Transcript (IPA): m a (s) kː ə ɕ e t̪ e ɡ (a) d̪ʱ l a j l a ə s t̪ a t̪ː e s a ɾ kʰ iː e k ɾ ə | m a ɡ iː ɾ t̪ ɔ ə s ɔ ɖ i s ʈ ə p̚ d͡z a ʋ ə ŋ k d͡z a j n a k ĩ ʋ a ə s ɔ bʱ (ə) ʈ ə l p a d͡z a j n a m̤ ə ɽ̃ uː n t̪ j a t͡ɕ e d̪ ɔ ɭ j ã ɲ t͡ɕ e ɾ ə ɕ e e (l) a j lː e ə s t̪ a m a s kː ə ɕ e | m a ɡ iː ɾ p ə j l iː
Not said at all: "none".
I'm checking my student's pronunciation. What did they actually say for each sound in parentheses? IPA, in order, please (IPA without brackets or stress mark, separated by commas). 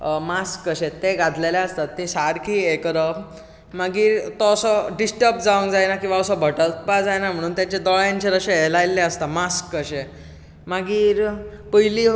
s, a, ə, l